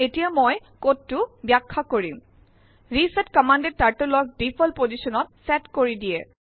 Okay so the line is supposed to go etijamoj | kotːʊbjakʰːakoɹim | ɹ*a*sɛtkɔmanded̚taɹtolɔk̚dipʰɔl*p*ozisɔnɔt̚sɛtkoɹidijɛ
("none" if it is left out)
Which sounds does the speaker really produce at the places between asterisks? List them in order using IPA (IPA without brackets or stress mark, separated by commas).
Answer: i, p